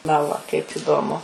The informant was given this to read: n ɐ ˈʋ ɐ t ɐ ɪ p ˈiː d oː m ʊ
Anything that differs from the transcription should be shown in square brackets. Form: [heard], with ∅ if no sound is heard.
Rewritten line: n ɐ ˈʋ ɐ [k] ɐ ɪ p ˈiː d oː m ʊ